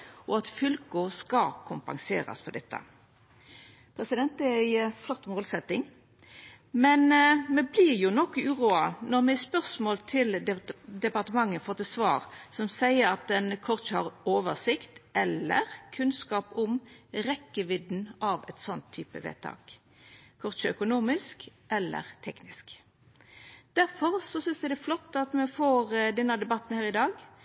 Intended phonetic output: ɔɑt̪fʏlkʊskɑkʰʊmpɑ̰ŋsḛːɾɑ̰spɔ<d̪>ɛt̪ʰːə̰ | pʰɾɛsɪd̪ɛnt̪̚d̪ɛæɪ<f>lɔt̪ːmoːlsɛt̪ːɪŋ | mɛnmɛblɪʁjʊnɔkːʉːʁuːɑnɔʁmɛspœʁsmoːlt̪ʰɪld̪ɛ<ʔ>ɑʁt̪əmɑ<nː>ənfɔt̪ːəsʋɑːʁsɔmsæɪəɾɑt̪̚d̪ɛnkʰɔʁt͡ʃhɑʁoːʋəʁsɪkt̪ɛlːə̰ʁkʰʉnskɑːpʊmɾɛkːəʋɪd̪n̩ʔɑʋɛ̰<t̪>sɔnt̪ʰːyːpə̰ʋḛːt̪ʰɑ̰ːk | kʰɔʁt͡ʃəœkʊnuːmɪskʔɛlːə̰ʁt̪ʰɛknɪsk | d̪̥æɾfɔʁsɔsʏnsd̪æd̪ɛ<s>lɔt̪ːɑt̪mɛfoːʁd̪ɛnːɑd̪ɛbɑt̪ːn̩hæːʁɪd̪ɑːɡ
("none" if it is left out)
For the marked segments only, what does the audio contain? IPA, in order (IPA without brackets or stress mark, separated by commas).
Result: d̪, f, p, ŋː, t̪, f